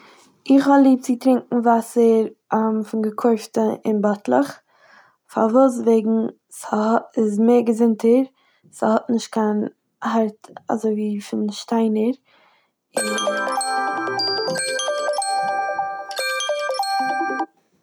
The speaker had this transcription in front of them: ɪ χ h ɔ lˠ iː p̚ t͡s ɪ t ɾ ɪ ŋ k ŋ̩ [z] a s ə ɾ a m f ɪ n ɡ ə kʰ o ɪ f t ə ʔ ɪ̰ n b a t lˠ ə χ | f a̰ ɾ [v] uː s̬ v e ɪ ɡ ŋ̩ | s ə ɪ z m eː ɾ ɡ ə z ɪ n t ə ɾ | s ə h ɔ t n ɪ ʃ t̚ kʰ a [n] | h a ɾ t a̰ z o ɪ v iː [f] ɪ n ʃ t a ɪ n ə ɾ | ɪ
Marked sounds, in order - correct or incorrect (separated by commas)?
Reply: incorrect, correct, correct, correct